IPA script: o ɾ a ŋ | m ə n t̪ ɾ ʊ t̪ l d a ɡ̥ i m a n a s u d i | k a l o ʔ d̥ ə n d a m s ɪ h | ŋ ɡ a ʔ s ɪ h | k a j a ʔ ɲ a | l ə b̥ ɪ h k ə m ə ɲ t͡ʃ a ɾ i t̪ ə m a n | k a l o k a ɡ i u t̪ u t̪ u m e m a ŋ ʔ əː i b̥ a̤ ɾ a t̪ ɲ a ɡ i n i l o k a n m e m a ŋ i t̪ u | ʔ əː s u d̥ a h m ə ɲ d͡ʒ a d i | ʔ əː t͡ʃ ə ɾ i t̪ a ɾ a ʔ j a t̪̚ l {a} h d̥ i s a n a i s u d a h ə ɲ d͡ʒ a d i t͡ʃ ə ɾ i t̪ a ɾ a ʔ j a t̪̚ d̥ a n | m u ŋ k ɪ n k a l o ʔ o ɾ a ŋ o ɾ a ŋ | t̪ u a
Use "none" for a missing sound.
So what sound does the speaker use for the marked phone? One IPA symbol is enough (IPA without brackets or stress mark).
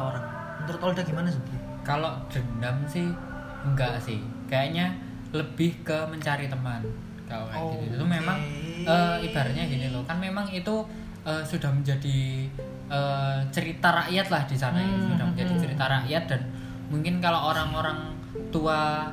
a